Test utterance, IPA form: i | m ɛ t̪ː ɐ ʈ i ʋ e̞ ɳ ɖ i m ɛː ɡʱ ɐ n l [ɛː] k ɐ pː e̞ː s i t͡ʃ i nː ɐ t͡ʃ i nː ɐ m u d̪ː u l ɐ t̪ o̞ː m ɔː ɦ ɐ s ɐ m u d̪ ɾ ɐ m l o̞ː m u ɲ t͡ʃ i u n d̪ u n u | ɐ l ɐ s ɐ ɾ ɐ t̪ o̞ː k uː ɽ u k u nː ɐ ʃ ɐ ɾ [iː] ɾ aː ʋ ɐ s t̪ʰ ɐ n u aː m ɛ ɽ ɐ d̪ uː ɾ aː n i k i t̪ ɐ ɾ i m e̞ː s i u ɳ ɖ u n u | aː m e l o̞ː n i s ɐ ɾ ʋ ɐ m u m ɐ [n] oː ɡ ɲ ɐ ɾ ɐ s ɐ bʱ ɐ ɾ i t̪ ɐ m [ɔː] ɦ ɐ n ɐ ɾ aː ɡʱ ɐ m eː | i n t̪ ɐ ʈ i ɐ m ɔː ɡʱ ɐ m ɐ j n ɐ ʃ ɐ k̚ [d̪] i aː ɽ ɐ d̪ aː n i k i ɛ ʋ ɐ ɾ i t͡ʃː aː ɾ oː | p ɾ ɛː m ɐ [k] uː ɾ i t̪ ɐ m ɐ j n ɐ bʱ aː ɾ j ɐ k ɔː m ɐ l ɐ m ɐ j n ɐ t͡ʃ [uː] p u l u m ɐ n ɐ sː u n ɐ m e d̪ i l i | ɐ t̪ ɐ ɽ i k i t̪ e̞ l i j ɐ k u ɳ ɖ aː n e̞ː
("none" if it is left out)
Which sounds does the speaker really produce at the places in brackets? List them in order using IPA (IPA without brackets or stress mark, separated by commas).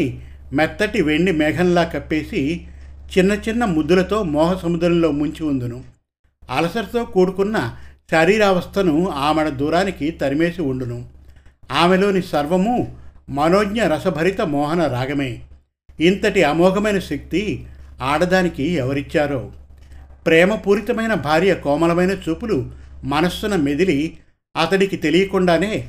aː, iː, n, ɔː, t̪, p, uː